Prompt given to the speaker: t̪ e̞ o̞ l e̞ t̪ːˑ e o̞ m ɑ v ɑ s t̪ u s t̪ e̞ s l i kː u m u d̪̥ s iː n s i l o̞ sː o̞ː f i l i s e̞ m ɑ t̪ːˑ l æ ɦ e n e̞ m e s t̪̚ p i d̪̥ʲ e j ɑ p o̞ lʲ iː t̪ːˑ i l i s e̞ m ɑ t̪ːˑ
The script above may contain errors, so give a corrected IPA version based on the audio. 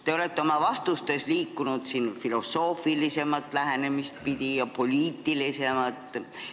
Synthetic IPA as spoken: t̪ e̞ o̞ l e̞ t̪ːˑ e o̞ m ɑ v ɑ s t̪ u s t̪ e̞ s l iː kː u n u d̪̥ s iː n f i l o̞ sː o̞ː f i l i s e̞ m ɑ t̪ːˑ l æ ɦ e n e̞ m i s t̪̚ p i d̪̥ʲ i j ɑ p o̞ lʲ iː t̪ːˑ i l i s e̞ m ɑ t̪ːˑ